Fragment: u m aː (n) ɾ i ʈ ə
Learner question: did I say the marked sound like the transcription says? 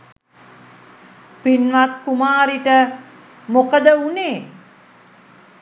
no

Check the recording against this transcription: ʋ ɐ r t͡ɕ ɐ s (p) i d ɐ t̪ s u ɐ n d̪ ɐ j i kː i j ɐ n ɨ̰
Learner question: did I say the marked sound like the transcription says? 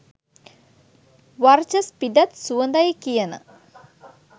yes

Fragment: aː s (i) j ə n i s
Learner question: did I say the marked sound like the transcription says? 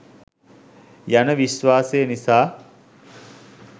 no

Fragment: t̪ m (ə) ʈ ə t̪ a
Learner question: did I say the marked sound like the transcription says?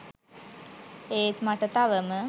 no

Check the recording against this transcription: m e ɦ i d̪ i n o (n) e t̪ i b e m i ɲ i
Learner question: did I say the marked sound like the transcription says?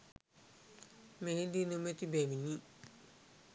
no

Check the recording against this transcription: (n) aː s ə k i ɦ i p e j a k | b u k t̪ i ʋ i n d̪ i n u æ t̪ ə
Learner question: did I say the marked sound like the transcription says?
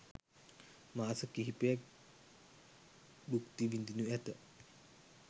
no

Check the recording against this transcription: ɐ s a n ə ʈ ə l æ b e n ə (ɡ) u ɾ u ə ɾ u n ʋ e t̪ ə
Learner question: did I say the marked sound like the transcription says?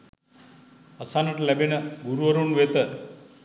yes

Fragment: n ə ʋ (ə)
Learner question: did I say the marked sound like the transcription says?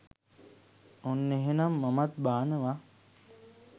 no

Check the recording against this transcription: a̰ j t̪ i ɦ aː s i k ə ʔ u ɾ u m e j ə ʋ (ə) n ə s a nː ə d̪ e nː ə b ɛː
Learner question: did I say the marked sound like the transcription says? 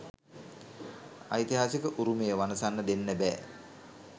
no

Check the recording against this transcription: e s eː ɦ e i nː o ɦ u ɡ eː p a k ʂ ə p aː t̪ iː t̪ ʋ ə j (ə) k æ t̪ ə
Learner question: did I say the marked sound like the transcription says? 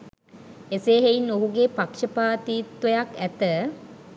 no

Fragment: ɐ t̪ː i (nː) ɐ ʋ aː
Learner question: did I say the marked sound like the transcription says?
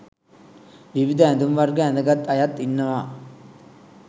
yes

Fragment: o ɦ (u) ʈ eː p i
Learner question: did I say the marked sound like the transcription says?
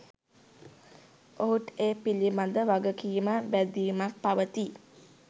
yes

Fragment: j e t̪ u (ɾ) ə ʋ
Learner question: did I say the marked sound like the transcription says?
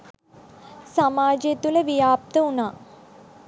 no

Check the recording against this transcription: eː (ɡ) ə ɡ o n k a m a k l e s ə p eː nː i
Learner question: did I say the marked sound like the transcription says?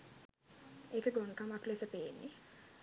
no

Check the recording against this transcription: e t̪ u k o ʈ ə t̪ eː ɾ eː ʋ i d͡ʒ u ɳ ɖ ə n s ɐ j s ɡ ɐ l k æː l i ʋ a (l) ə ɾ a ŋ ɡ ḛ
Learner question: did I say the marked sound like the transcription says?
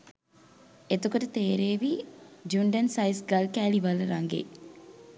yes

